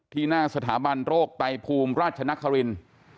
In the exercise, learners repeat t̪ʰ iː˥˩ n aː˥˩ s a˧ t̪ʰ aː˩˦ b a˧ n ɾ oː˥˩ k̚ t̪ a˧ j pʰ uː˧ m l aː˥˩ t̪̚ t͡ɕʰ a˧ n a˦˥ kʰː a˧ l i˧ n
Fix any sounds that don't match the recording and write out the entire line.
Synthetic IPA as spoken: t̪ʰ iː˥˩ n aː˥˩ s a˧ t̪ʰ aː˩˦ b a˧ n ɾ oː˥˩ k̚ t̪ a˧ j pʰ uː˧ m ɾ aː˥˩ t̪̚ t͡ɕʰ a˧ n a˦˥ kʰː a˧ ɾ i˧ n